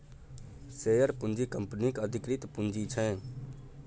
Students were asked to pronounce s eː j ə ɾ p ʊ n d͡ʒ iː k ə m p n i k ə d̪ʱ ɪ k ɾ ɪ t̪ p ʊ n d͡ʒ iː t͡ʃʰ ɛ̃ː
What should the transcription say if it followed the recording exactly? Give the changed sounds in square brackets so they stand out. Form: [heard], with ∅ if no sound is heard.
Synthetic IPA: s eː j ə ɾ p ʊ n d͡ʒ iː k ə m p n i k ə d̪ʱ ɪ k ɾ ɪ t̪ p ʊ n d͡ʒ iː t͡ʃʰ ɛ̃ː